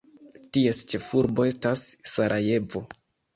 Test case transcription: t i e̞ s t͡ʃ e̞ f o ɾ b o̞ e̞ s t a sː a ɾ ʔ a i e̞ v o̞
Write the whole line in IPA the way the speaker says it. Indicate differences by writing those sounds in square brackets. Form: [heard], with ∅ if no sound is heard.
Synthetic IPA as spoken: t i e̞ s t͡ʃ e̞ f [u] ɾ b o̞ e̞ s t a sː a ɾ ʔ a [j] e̞ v o̞